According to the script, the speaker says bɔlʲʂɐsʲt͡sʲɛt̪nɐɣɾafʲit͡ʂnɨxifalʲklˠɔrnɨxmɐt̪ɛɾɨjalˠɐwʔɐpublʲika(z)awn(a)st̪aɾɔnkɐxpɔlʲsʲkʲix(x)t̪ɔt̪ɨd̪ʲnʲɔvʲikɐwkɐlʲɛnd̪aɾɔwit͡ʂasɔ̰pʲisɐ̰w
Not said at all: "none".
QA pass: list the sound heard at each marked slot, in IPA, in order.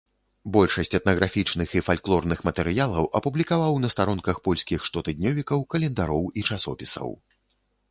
v, ɐ, ʂ

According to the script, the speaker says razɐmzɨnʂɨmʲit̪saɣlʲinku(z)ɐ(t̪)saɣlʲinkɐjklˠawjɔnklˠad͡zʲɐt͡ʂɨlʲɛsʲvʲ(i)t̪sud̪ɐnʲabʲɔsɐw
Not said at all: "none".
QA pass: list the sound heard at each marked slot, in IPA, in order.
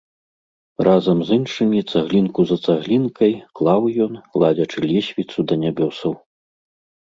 z, t̪, i

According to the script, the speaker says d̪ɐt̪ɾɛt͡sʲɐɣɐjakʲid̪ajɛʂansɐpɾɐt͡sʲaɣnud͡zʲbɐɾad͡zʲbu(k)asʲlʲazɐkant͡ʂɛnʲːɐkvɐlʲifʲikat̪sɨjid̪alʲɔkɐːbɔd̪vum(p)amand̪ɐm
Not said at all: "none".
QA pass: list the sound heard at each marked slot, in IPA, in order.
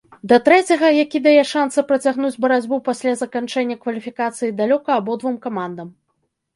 p, k

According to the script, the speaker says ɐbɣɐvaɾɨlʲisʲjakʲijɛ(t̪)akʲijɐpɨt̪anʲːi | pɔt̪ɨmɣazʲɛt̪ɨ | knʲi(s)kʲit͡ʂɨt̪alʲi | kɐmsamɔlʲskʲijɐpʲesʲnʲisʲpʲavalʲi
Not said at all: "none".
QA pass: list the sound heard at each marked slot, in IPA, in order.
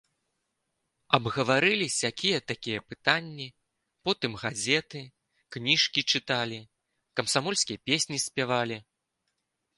t̪, ʂ

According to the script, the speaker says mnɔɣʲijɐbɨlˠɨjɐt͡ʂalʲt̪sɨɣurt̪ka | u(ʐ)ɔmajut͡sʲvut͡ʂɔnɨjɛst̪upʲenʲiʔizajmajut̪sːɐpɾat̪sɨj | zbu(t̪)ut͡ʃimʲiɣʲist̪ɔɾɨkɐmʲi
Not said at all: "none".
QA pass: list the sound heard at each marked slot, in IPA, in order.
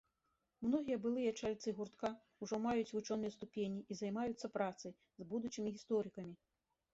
ʐ, d̪

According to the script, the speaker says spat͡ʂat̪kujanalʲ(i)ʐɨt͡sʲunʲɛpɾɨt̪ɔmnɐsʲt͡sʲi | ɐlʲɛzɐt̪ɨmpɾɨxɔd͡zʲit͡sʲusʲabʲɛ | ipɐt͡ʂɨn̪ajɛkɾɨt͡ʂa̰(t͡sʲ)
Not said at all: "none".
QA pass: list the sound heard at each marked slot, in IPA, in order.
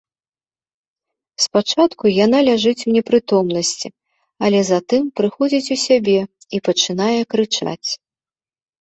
a, t͡sʲ

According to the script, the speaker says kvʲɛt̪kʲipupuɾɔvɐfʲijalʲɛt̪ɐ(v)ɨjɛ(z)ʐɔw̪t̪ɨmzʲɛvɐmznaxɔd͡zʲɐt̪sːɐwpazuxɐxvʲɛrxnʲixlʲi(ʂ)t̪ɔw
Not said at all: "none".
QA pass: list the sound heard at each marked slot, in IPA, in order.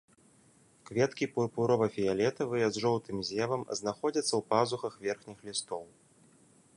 v, z, s

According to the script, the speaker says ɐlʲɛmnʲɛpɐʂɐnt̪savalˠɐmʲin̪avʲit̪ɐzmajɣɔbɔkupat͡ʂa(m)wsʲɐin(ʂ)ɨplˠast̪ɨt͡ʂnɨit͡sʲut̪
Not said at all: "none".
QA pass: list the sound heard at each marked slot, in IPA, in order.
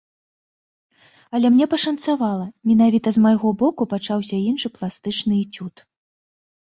none, ʂ

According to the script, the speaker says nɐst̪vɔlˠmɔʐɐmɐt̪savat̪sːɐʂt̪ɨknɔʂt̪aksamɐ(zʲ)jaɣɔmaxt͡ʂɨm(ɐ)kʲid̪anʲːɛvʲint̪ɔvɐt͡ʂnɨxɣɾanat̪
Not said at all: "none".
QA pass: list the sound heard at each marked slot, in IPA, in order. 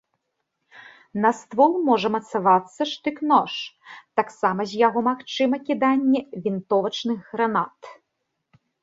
zʲ, ɐ

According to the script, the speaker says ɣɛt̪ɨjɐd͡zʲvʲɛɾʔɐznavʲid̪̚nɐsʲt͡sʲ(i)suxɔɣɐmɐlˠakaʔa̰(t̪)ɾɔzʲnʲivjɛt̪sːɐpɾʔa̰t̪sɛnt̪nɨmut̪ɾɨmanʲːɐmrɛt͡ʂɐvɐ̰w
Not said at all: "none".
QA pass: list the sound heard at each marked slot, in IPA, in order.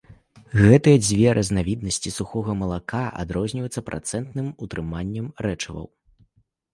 i, d̪

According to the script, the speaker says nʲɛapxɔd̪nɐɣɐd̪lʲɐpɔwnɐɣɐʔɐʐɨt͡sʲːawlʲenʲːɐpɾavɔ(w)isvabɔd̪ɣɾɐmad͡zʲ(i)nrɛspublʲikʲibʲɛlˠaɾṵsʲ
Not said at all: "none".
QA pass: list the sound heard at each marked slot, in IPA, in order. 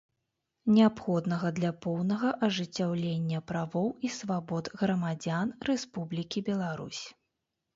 w, a

